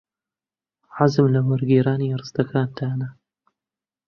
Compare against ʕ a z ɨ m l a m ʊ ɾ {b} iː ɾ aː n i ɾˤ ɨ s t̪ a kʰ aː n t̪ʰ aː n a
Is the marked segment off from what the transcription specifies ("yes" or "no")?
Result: yes